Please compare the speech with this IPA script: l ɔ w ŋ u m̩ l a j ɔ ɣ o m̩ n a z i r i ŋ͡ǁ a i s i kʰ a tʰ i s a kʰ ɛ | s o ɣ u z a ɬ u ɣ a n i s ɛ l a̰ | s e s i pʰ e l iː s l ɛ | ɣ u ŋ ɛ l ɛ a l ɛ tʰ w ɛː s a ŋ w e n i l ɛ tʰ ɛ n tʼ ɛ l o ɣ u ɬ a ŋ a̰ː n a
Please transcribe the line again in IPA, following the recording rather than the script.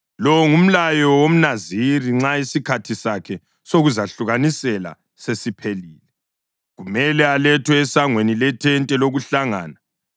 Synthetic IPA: l ɔ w ŋ u m̩ l a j ɔ w o m̩ n a z i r i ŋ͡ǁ a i s i kʰ a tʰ i s a kʰ ɛ | s o ɣ u z a ɬ u ɣ a n i s ɛ l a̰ | s e s i pʰ e l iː l ɛ | ɣ u m ɛ l ɛ a l ɛ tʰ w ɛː s a ŋ w e n i l ɛ tʰ ɛ n tʼ ɛ l o ɣ u ɬ a ŋ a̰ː n a